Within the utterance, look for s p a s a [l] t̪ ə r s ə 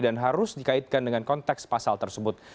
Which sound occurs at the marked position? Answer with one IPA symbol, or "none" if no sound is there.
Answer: l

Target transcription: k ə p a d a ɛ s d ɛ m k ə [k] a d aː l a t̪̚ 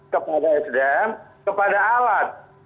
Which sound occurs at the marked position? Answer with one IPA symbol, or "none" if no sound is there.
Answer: p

